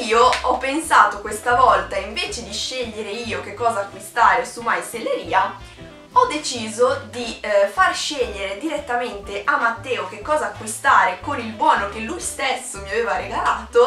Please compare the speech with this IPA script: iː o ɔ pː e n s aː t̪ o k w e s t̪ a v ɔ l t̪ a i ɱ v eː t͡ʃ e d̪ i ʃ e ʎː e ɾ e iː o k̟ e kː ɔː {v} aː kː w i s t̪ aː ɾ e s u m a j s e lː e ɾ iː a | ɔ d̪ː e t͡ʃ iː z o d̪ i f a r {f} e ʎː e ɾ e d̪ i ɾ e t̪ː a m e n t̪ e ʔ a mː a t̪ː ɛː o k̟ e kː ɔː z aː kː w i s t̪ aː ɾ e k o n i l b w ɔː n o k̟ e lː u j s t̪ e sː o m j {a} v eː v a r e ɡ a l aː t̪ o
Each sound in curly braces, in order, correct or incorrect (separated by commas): incorrect, incorrect, correct